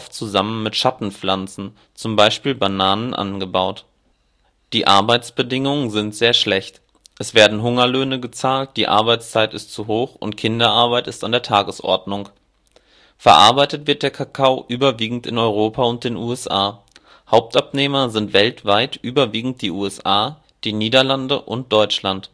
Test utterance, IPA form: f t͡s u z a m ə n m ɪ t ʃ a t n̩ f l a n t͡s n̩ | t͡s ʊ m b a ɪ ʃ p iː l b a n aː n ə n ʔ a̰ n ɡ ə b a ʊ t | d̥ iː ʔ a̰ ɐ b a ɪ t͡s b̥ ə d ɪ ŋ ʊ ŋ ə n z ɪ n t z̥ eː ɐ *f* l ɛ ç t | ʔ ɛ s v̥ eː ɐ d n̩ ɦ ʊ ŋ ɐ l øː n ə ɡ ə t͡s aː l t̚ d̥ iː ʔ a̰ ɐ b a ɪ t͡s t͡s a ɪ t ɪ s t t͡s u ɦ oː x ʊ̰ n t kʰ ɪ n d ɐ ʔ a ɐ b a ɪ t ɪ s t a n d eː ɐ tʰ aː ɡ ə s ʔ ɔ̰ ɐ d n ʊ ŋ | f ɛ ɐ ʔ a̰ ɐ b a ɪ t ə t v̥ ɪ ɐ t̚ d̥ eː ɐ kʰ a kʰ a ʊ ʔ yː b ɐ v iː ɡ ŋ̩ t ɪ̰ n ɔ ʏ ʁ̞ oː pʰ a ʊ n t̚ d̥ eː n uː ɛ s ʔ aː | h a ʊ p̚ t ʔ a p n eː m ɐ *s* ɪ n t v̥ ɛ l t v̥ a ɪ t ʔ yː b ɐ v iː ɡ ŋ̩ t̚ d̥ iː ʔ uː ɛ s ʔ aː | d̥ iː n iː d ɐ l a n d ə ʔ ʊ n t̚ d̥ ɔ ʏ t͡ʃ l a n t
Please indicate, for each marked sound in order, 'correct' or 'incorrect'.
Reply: incorrect: ʃ, incorrect: z

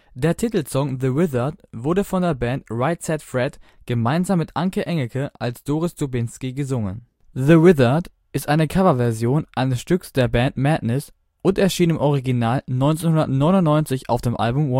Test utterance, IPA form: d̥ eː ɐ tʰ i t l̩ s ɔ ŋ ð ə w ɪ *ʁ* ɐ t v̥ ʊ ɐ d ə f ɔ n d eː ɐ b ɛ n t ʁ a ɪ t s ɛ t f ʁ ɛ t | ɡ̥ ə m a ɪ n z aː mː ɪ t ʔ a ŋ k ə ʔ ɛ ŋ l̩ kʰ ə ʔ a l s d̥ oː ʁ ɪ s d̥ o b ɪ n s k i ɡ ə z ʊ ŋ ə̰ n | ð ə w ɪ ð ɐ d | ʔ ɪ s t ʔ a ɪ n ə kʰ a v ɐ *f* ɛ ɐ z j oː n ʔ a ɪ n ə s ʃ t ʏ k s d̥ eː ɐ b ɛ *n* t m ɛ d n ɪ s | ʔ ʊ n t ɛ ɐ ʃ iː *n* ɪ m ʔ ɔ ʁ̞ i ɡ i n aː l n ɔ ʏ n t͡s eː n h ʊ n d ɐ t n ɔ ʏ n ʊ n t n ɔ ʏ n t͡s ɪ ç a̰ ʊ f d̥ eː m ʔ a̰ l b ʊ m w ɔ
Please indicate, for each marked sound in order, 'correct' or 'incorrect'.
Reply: incorrect: ð, incorrect: v, correct, correct

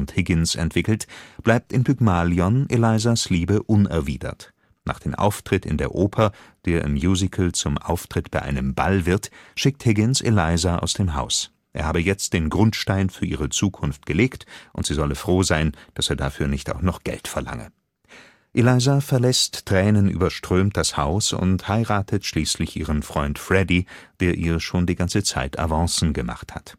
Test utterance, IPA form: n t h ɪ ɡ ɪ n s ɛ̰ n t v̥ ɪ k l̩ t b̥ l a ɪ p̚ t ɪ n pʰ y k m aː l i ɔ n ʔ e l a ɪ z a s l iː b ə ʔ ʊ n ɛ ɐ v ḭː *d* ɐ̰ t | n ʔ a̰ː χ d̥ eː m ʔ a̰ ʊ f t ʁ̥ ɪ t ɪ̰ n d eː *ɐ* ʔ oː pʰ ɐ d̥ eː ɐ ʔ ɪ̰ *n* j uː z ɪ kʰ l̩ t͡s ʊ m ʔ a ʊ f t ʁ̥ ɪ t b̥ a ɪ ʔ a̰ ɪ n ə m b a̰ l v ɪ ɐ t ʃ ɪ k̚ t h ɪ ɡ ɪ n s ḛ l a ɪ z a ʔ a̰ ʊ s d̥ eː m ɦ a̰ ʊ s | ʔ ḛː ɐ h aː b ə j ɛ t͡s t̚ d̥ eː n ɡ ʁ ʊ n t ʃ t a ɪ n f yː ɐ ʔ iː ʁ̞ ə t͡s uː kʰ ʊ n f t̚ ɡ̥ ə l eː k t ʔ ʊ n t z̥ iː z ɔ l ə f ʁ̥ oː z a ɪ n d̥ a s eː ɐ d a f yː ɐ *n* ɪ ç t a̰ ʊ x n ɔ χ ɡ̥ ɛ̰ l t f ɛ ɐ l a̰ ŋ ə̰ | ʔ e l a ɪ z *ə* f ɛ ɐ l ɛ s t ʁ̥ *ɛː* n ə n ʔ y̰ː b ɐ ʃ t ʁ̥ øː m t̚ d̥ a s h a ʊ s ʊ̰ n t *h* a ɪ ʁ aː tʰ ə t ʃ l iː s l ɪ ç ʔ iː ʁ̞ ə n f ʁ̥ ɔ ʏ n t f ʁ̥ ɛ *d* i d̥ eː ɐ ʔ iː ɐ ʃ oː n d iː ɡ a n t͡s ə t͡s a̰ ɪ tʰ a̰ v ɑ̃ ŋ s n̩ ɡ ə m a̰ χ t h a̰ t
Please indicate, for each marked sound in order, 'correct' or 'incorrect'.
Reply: correct, correct, incorrect: m, correct, incorrect: a, correct, correct, correct

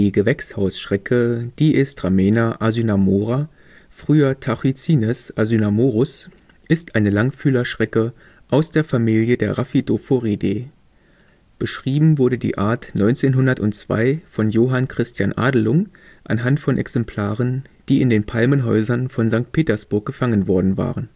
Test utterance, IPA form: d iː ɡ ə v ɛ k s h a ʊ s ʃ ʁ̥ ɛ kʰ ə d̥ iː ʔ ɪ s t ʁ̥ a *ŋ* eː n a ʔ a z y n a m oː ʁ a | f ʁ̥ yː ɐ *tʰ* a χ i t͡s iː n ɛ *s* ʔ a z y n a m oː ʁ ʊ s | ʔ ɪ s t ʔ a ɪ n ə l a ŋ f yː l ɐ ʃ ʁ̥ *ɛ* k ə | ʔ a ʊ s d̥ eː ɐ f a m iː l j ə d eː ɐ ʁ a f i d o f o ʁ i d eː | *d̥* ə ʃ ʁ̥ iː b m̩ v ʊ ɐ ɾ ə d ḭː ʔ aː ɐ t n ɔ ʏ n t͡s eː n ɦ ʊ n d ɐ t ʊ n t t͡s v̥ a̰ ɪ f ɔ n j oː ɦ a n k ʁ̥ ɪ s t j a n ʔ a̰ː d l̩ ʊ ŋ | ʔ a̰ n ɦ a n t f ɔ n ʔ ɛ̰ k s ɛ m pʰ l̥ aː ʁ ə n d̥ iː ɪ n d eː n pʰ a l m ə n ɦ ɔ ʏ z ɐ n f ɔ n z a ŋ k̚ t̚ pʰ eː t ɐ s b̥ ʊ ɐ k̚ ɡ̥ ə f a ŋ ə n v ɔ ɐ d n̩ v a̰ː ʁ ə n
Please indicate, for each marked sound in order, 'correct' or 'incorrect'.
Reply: incorrect: m, correct, correct, correct, incorrect: b̥

